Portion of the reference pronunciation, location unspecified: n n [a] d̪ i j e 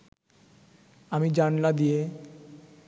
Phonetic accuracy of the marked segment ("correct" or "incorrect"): correct